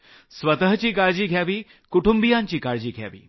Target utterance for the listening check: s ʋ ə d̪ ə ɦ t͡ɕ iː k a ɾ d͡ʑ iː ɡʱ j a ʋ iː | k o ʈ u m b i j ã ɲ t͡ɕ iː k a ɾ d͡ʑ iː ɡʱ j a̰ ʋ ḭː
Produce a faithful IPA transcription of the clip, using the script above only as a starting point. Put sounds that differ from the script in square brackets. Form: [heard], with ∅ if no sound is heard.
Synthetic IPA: s ʋ ə [t̪] ə ɦ t͡ɕ iː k a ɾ d͡ʑ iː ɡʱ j a ʋ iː | k [u] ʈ u m b i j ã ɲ t͡ɕ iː k a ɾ d͡ʑ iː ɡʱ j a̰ ʋ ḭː